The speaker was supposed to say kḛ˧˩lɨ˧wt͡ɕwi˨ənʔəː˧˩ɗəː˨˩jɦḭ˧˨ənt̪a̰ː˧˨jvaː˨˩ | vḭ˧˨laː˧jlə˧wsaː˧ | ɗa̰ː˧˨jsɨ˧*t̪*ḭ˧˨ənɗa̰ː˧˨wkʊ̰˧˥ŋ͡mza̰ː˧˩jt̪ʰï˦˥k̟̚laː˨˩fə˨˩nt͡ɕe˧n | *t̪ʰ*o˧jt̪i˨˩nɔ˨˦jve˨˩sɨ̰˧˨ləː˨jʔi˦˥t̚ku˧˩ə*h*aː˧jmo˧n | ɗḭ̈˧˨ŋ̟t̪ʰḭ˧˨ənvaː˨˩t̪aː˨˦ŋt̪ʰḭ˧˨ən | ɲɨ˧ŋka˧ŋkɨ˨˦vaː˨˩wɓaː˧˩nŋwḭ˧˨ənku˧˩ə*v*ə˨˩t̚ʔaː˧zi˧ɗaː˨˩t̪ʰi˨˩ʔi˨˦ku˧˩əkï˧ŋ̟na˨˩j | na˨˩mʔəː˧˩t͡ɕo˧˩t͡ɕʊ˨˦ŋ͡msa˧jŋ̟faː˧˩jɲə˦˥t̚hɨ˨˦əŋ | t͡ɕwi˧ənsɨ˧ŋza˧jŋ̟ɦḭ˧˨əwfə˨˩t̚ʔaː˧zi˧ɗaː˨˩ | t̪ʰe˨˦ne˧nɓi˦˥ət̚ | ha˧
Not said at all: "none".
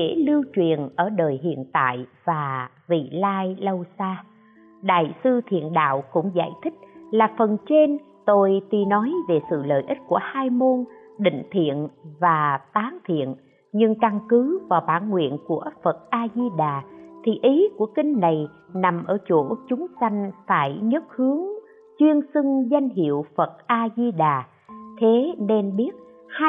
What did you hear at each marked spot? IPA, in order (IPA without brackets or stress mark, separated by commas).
t̪ʰ, t̪, h, f